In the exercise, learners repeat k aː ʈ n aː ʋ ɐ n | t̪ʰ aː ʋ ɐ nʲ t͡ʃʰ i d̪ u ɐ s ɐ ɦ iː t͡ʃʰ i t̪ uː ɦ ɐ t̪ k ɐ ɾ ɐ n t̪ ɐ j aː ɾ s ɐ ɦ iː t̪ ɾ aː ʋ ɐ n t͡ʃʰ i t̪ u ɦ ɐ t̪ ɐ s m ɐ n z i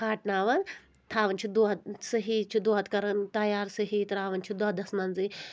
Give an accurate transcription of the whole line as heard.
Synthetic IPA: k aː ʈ n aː ʋ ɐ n | t̪ʰ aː ʋ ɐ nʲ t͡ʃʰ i d̪ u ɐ s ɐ ɦ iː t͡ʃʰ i d̪ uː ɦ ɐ t̪ k ɐ ɾ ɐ n t̪ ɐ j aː ɾ s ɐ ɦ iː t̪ ɾ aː ʋ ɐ n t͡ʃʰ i d̪ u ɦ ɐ d̪ ɐ s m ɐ n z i